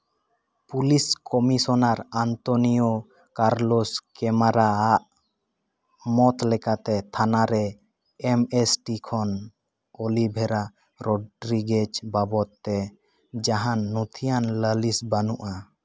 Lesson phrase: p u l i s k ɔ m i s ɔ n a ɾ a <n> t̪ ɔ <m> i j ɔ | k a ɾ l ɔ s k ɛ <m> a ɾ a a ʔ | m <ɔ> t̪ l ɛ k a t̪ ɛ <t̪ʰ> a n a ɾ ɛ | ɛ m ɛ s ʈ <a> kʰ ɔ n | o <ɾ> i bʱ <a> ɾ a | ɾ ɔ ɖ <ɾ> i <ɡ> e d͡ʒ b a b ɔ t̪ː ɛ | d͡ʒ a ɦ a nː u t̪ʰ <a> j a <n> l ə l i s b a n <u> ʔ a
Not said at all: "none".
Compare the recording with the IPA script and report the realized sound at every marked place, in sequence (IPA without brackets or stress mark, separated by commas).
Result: n, n, m, ɔ, t̪ʰ, i, l, ɛ, ɾ, ɡ, i, n, u